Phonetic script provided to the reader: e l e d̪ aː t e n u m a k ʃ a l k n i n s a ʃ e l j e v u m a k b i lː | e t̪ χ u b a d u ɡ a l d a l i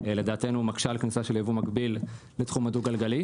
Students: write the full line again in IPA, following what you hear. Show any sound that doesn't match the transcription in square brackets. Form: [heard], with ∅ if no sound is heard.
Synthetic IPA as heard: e l e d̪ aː t e n u m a k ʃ a l k n i [∅] s a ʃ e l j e v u m a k b i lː | e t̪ χ u [m] a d u ɡ a l [ɡ] a l i